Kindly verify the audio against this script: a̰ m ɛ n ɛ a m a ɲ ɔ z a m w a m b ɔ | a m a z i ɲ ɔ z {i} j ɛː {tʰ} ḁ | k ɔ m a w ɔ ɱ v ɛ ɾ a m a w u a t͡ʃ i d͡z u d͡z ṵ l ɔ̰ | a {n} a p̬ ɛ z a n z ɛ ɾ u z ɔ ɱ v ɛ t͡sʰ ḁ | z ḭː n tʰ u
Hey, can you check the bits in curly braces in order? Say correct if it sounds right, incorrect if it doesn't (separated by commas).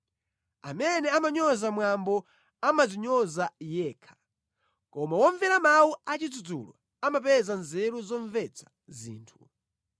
incorrect, incorrect, incorrect